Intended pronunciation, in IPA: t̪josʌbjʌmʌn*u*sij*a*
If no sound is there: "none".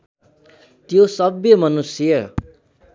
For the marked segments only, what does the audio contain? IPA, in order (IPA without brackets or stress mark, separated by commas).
u, ʌ